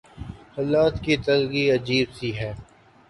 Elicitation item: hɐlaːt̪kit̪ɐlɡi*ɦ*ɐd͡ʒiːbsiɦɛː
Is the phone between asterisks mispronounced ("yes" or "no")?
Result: yes